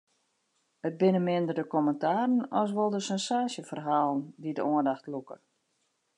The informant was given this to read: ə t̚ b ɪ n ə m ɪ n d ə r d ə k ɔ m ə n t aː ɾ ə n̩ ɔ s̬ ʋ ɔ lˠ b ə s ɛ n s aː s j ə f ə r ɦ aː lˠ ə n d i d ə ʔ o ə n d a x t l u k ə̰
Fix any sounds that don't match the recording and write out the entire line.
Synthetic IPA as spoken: ə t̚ b ɪ n ə m ɪ n d ə r d ə k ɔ m ə n t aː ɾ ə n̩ ɔ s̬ ʋ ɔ lˠ d ə s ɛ n s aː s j ə f ə r ɦ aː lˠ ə n d i d ə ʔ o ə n d a x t l u k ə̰